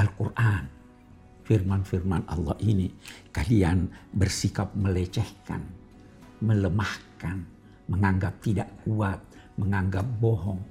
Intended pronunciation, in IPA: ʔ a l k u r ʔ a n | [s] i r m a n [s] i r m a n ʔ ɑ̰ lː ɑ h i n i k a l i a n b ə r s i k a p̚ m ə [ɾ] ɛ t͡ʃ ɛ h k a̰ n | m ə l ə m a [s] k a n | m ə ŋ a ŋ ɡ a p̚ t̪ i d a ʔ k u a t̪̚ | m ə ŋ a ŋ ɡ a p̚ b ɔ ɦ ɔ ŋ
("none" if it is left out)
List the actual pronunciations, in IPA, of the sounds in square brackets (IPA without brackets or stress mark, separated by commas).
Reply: f, f, l, h